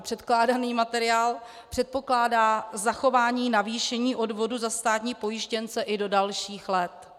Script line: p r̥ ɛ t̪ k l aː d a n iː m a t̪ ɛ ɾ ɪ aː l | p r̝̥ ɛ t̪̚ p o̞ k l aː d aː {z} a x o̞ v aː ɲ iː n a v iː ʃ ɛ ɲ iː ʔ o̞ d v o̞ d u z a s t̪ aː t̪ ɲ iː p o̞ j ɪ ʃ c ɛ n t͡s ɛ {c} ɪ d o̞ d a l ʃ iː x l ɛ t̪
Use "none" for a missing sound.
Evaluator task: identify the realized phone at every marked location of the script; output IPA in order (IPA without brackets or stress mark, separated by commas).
z, ʔ